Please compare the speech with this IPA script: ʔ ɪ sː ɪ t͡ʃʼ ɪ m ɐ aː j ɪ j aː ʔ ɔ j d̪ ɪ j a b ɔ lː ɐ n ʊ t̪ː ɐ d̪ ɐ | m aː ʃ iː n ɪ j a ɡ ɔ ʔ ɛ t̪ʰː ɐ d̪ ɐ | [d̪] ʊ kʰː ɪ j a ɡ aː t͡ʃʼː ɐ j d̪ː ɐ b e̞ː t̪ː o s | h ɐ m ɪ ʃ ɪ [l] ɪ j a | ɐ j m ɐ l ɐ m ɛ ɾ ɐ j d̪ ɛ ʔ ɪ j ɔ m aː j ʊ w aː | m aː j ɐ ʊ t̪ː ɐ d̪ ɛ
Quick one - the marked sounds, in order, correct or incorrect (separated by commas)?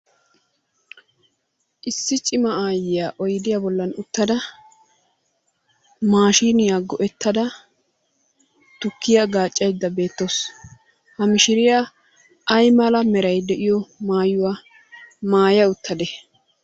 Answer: incorrect, incorrect